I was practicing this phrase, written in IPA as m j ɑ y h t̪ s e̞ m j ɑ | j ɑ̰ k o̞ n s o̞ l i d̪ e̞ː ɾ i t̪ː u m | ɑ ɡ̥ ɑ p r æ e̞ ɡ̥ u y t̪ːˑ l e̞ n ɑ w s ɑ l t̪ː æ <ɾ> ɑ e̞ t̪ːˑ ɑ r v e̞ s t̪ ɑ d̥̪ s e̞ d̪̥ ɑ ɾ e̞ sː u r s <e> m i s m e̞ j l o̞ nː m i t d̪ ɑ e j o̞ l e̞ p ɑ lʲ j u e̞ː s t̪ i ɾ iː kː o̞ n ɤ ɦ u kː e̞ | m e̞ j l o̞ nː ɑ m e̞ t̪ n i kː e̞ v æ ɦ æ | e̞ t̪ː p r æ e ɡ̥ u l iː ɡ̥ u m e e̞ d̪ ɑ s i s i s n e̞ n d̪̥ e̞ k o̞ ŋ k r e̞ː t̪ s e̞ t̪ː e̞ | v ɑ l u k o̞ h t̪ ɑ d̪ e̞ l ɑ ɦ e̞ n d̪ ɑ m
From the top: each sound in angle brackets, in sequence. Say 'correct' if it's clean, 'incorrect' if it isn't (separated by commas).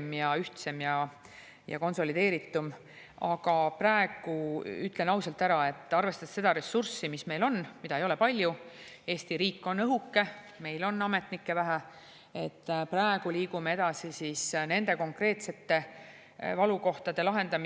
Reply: correct, incorrect